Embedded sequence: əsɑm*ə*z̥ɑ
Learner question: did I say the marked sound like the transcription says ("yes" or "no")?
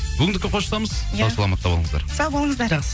yes